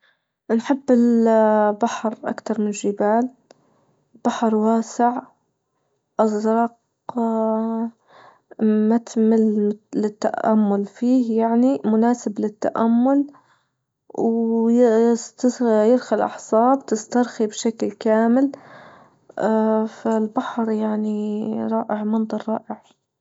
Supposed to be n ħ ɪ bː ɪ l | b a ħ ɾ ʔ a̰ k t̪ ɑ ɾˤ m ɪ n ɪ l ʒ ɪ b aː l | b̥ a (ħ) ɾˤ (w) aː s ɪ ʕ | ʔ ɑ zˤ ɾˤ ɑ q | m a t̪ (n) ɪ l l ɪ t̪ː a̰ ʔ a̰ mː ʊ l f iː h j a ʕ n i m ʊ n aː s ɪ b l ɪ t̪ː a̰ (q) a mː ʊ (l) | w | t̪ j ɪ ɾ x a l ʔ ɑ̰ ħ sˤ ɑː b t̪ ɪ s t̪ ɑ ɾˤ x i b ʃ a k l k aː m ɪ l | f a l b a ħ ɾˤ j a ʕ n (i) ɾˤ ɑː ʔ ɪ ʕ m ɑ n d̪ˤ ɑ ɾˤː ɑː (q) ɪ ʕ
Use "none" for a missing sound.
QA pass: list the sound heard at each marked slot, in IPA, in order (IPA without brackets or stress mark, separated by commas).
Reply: ħ, w, m, ʔ, l, i, ʔ